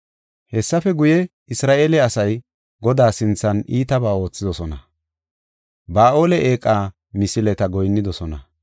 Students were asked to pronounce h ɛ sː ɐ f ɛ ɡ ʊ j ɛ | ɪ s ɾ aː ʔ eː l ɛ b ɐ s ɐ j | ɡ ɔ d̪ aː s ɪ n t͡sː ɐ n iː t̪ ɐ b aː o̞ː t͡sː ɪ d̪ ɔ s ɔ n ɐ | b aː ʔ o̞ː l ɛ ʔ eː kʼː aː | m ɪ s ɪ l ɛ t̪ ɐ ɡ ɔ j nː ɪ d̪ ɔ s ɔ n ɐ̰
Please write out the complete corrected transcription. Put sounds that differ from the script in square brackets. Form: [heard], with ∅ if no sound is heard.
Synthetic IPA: h ɛ sː ɐ f ɛ ɡ ʊ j ɛ | ɪ s ɾ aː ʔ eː l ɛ [∅] ɐ s ɐ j | ɡ ɔ d̪ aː s ɪ n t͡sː ɐ n iː t̪ ɐ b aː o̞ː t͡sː ɪ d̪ ɔ s ɔ n ɐ | b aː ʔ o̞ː l ɛ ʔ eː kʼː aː | m ɪ s ɪ l ɛ t̪ ɐ ɡ ɔ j nː ɪ d̪ ɔ s ɔ n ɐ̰